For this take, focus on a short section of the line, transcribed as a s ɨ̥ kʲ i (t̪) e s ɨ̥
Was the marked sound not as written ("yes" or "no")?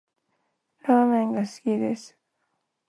yes